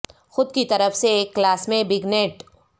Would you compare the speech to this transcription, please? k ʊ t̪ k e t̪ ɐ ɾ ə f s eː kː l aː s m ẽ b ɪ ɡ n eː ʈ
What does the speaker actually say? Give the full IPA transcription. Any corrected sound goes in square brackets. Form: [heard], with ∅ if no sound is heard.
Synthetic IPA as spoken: [x] ʊ [d̪] k [i] t̪ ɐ ɾ ə f s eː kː l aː s m ẽ b ɪ ɡ n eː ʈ